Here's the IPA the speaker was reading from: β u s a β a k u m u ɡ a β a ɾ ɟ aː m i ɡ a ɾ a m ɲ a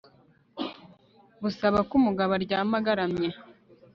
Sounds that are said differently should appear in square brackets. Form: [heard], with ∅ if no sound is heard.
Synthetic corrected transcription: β u s a β a k u m u ɡ a β a ɾ ɟ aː m [a] ɡ a ɾ a m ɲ [e]